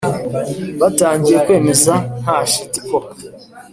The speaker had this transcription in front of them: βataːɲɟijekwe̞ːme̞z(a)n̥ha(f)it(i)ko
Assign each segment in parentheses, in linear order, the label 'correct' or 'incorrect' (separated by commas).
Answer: correct, incorrect, correct